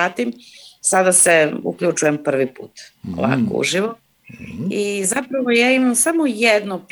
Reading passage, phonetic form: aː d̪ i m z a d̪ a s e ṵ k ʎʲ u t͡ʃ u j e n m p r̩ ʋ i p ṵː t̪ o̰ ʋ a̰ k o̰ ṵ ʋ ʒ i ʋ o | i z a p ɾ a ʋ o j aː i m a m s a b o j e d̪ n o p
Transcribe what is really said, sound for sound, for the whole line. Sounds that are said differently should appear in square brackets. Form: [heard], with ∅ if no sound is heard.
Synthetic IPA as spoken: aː [t̪] i m [s] a d̪ a s e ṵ k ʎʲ u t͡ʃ u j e [∅] m p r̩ ʋ i p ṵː t̪ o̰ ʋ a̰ k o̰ ṵ [∅] ʒ i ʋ o | i z a p ɾ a ʋ o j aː i m a m s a [m] o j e d̪ n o p